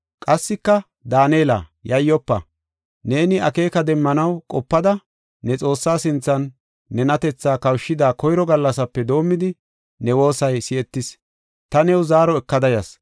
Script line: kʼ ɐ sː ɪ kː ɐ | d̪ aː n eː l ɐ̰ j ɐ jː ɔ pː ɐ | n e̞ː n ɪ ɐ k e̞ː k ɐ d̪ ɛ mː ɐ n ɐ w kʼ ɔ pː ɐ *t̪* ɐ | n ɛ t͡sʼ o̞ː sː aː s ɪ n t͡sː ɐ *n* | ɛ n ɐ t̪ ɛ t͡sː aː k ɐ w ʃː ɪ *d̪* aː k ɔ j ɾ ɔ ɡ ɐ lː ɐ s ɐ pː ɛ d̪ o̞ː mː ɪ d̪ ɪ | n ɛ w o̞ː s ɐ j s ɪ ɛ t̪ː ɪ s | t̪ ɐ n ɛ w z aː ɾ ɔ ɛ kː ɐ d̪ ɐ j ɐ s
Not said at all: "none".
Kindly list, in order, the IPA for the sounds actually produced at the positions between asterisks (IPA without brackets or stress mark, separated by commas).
d̪, nː, d̪